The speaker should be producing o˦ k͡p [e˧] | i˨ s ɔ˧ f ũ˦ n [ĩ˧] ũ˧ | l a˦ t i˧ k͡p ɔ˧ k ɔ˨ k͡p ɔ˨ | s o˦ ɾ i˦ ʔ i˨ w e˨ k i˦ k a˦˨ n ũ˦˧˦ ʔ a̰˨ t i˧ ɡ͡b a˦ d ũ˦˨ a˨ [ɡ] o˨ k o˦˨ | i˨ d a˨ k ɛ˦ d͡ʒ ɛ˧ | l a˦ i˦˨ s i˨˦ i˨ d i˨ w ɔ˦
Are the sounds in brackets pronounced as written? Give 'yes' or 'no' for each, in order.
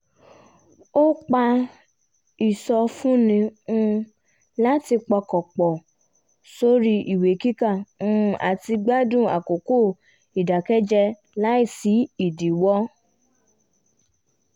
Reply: no, yes, no

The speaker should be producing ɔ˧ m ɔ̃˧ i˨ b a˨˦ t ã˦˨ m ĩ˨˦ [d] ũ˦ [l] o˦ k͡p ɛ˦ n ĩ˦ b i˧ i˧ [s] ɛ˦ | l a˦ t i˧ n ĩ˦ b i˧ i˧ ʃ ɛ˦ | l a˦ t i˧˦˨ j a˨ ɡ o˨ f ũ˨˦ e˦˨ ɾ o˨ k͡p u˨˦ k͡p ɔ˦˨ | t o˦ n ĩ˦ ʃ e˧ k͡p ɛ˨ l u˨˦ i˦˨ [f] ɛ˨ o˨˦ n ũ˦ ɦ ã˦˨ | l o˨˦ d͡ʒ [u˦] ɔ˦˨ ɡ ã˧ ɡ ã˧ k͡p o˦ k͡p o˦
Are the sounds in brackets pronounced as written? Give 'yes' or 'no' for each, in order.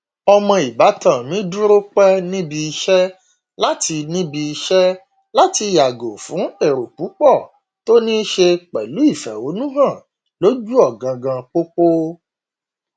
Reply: yes, no, no, yes, yes

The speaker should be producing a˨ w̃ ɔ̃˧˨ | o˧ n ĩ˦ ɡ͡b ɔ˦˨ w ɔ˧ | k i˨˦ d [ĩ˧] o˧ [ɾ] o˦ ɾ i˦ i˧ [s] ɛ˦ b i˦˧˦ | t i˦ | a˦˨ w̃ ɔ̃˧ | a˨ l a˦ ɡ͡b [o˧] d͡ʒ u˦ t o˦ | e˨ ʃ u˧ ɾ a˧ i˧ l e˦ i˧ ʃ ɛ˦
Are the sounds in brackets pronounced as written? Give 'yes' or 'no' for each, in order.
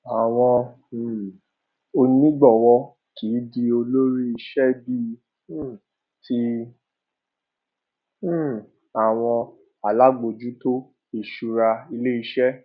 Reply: no, no, no, yes

